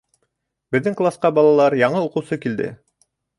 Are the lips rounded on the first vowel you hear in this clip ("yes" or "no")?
no